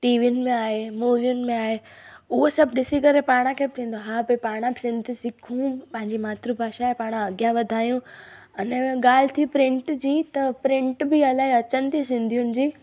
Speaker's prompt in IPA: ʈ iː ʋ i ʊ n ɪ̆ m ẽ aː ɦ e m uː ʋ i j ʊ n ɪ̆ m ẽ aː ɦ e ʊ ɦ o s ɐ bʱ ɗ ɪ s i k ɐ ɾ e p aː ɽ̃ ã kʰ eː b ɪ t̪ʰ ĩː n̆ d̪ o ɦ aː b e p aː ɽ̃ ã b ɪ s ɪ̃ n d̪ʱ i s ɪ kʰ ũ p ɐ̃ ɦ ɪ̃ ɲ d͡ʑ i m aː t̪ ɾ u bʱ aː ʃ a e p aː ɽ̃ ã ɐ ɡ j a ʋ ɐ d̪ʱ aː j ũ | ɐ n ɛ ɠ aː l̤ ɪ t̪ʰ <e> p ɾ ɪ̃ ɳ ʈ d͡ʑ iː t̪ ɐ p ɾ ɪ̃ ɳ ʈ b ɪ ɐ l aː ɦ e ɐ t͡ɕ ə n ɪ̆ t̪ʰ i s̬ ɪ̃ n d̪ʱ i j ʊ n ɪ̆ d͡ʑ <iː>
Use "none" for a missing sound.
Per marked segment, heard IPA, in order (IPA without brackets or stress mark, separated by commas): i, iː